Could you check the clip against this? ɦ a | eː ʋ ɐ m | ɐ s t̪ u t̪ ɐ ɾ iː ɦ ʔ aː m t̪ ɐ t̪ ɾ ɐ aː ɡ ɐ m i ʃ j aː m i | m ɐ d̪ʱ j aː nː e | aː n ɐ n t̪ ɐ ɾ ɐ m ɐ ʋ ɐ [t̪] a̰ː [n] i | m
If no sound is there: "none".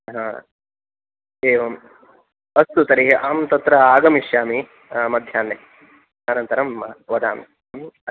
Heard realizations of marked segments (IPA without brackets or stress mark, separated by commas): d̪, m